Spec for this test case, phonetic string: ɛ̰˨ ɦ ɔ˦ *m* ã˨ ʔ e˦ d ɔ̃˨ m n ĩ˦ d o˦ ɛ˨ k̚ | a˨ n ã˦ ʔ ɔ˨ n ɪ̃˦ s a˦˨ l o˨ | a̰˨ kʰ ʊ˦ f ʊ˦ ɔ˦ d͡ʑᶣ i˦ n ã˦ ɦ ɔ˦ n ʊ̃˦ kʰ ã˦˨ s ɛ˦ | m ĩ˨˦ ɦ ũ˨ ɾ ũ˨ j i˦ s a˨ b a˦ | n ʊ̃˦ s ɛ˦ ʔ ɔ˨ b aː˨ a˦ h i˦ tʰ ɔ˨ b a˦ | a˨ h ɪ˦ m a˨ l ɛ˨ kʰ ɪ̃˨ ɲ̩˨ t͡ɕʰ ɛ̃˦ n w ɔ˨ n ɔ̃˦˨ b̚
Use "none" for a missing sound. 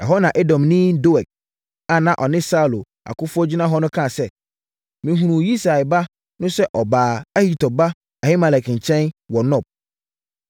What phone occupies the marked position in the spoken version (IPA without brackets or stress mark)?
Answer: n